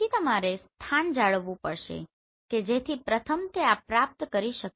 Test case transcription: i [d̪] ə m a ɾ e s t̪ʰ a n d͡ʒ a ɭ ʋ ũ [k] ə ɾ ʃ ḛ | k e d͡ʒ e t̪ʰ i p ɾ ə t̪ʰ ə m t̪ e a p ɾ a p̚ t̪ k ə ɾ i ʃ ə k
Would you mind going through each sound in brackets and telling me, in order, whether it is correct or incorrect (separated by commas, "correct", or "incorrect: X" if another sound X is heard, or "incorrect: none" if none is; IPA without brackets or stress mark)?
incorrect: t̪, incorrect: p